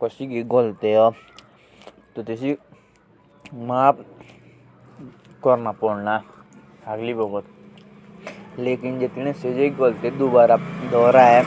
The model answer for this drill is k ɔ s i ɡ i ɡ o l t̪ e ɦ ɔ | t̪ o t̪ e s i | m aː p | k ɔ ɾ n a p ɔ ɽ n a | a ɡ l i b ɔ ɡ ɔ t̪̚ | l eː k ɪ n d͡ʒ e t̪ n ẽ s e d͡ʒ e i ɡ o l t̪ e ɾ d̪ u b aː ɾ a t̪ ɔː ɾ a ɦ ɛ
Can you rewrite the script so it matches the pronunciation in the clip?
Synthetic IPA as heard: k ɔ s i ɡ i ɡ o l t̪ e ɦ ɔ | t̪ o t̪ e s i | m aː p | k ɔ ɾ n a p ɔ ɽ n a | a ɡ l i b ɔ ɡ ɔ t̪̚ | l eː k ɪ n d͡ʒ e t̪ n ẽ s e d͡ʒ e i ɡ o l t̪ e d̪ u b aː ɾ a d̪ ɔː ɾ a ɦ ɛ